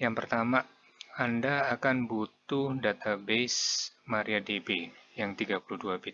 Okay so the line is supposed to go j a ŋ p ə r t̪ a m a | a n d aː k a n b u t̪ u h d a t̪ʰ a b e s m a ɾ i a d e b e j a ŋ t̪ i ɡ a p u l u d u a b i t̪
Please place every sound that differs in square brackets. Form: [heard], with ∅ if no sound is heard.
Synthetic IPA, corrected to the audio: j a ŋ p ə r t̪ a m a | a n d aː k a n b u t̪ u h d a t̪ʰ a b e s m a ɾ i a d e b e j a ŋ t̪ i ɡ a p u l u d u a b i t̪

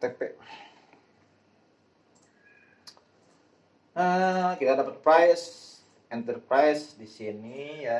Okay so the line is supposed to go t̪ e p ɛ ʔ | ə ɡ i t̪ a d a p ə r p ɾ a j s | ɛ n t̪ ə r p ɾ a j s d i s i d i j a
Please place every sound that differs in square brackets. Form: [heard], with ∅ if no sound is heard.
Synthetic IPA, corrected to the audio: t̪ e p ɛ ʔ | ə [k] i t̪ a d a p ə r p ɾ a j s | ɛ n t̪ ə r p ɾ a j s d i s i [n] i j a

